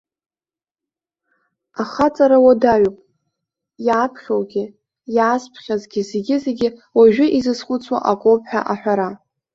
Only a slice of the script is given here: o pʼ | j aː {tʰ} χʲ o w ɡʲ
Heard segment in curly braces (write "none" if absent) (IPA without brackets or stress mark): pʰ